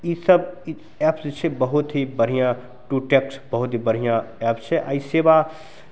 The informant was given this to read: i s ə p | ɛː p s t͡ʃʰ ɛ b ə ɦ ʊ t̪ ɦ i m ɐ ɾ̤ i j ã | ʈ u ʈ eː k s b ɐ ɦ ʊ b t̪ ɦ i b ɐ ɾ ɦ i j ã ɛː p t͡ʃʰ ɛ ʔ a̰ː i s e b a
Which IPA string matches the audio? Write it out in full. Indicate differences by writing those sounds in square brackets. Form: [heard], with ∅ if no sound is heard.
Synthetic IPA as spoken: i s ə [b] | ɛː p s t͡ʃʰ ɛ b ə ɦ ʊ t̪ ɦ i [b] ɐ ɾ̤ i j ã | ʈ u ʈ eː k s b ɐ ɦ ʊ [∅] t̪ ɦ i b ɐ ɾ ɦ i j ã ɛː p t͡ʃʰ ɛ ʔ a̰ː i s e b a